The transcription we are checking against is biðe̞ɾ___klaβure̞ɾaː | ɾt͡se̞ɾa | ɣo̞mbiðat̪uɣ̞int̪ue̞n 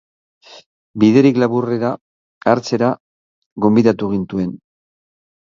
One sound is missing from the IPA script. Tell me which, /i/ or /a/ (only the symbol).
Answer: i